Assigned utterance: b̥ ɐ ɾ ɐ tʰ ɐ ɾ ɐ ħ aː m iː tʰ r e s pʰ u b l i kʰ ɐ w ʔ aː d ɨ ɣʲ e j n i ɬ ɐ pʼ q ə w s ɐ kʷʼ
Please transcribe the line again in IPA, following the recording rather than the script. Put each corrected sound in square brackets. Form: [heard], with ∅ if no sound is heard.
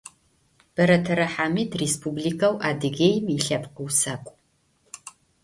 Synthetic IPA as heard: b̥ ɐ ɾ ɐ tʰ ɐ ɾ ɐ ħ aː m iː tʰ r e s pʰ u b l i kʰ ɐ w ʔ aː d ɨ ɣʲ e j [m] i ɬ ɐ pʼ q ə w s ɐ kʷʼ

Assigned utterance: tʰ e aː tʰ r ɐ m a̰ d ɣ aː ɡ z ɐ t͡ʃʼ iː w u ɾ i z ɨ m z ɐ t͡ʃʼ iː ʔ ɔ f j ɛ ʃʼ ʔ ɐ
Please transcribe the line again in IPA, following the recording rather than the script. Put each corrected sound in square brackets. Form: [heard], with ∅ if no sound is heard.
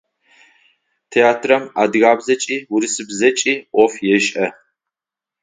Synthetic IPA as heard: tʰ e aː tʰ r ɐ m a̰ d ɣ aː [b] z ɐ t͡ʃʼ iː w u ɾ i [s] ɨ [b] z ɐ t͡ʃʼ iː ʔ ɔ f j ɛ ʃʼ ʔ ɐ

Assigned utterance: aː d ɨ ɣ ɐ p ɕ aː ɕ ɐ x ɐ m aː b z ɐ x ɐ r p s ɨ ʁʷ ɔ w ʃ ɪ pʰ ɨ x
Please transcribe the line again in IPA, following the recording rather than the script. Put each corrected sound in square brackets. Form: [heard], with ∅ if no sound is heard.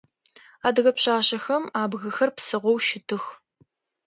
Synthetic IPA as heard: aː d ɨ ɣ ɐ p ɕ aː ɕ ɐ x ɐ m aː b [ɣ] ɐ x ɐ r p s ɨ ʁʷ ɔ w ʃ ɪ [tʰ] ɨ x

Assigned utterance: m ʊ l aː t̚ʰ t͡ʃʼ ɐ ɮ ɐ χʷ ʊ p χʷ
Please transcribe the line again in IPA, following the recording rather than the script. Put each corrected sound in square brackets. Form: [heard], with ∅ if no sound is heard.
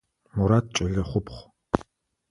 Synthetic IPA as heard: m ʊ [ɾ] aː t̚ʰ t͡ʃʼ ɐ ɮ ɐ χʷ ʊ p χʷ

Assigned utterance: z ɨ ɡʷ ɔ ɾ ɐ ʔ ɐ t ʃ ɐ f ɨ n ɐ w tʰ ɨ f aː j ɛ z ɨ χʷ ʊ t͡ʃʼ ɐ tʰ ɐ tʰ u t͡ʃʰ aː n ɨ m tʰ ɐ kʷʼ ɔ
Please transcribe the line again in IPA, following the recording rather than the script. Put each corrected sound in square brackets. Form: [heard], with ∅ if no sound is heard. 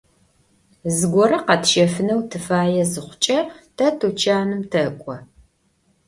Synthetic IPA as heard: z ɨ ɡʷ ɔ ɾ ɐ [q] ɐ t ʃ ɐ f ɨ n ɐ w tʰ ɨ f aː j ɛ z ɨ χʷ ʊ t͡ʃʼ ɐ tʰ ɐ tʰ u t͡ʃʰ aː n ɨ m tʰ ɐ kʷʼ ɔ

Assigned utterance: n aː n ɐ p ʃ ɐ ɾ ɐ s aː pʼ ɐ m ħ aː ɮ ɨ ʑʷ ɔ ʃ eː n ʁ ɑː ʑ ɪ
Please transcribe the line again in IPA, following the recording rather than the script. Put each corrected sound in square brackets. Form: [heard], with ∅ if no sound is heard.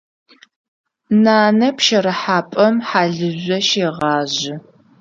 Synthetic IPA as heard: n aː n ɐ p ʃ ɐ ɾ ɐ [ħ] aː pʼ ɐ m ħ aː ɮ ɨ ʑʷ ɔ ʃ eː [∅] ʁ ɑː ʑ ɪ

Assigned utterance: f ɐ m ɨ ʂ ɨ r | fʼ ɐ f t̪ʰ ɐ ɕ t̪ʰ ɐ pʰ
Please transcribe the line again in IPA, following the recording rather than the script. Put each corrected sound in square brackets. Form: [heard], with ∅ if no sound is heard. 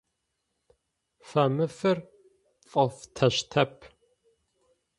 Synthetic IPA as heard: f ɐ m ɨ [f] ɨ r | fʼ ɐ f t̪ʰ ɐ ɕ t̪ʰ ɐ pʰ

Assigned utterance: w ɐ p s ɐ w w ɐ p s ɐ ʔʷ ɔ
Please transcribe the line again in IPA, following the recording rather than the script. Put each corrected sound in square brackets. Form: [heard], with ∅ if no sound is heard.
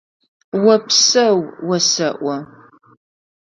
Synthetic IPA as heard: w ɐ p s ɐ w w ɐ [∅] s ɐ ʔʷ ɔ

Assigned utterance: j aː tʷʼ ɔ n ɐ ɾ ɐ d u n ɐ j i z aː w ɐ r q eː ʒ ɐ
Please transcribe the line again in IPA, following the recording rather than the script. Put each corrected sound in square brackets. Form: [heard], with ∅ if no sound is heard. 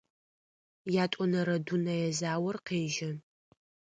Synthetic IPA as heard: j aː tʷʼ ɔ n ɐ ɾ ɐ d u n ɐ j [ɛ] z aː w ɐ r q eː ʒ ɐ

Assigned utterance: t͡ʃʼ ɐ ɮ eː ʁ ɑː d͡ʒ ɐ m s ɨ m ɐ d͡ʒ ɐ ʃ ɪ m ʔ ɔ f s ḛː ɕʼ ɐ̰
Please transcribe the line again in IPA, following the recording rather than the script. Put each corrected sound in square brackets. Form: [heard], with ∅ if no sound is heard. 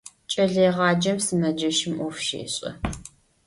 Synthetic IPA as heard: t͡ʃʼ ɐ ɮ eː ʁ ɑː d͡ʒ ɐ m s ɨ m ɐ d͡ʒ ɐ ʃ ɪ m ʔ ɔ f [ʃ] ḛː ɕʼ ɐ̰

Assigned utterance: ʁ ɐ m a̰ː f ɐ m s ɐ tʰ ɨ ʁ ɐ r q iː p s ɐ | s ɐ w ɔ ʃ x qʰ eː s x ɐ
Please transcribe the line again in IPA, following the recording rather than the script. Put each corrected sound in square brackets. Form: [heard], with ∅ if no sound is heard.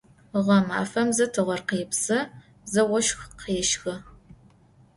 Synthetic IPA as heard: ʁ ɐ m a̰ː f ɐ m [z] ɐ tʰ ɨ ʁ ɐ r q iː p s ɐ | [z] ɐ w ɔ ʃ x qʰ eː [ʃ] x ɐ

